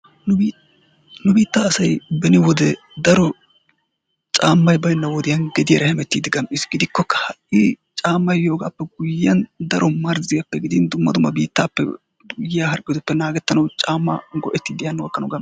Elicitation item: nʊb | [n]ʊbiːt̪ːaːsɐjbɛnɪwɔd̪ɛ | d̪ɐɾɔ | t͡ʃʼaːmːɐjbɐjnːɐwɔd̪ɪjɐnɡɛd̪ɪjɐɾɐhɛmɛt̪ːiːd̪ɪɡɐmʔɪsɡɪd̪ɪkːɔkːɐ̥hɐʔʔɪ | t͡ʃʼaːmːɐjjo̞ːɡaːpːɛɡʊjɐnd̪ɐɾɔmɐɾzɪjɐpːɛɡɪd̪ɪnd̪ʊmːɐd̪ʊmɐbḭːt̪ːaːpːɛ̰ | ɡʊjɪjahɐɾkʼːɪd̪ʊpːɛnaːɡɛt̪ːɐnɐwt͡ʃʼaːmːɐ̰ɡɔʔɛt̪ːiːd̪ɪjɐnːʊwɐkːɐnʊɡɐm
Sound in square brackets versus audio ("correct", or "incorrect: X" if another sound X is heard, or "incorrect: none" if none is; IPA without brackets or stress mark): correct